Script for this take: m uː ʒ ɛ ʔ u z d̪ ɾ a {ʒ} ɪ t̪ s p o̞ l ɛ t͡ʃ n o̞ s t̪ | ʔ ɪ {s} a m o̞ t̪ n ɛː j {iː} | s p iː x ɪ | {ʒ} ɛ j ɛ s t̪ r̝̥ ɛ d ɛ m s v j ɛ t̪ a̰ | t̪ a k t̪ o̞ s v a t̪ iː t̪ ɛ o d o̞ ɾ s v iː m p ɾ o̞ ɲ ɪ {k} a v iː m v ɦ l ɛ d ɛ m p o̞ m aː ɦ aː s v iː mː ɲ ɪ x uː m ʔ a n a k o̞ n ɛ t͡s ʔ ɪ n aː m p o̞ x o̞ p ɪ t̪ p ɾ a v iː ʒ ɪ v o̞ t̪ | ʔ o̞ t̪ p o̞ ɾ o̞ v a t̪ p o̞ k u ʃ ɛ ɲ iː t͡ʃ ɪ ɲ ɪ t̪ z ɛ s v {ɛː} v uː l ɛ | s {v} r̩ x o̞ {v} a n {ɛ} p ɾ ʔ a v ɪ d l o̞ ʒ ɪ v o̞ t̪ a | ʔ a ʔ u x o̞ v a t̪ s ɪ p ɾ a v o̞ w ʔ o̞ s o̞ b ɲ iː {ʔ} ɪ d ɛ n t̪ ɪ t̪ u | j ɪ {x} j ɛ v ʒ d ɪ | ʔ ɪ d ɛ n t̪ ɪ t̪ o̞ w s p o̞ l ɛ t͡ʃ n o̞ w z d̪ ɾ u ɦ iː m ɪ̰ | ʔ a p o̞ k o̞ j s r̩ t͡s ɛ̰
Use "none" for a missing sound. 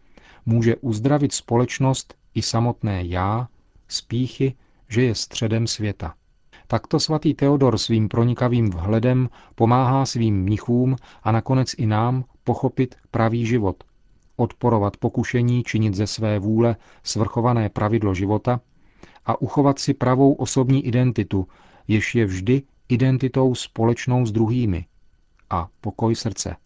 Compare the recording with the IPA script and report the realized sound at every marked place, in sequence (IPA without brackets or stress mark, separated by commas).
v, s, aː, ʒ, k, ɛː, v, v, ɛː, ʔ, ʃ